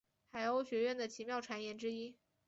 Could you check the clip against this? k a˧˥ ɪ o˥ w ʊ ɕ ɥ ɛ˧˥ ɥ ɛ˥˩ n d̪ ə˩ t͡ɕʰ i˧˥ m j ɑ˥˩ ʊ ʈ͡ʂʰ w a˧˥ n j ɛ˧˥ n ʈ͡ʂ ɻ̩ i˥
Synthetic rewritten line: x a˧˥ ɪ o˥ ʊ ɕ ɥ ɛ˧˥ ɥ ɛ˥˩ n d̪ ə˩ t͡ɕʰ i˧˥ m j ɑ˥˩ ʊ ʈ͡ʂʰ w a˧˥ n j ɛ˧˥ n ʈ͡ʂ ɻ̩ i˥

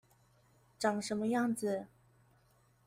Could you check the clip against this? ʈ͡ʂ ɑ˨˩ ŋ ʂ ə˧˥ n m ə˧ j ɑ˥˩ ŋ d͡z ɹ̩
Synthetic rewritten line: ʈ͡ʂ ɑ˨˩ ŋ ʂ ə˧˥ n m ə˧ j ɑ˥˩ ŋ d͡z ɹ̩

